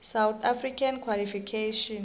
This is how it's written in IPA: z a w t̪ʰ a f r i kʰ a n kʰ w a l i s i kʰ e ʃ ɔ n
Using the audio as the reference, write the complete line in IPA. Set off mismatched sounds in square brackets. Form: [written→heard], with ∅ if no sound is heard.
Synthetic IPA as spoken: [z→s] a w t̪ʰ a f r i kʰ a n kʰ w a l i [s→f] i kʰ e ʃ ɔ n